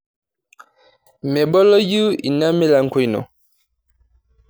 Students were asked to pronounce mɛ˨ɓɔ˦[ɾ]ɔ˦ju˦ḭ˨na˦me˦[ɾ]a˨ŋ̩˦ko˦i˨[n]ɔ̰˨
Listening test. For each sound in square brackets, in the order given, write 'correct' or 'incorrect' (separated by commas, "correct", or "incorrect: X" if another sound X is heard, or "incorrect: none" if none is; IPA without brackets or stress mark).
incorrect: l, incorrect: l, correct